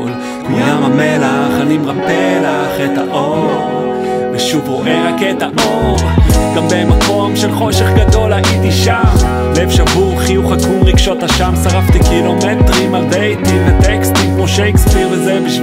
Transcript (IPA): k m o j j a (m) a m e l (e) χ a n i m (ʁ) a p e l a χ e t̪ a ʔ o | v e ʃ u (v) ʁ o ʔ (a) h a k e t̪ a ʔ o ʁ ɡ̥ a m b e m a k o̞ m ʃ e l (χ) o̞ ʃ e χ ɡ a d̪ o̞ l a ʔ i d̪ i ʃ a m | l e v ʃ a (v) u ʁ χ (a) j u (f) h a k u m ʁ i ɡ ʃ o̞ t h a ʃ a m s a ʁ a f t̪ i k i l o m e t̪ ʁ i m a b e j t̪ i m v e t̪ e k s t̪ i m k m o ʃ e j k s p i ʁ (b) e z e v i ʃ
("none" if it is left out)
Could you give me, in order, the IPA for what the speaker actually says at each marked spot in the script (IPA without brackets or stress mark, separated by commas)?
m, a, ʁ, v, e, χ, v, i, χ, v